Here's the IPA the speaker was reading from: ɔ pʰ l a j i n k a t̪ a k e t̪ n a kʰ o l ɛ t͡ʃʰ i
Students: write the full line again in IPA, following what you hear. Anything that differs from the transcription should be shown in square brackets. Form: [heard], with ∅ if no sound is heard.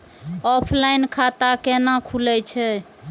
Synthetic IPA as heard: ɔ pʰ l a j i n [kʰ] a t̪ a k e [∅] n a kʰ [u] l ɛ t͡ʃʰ [ɛ]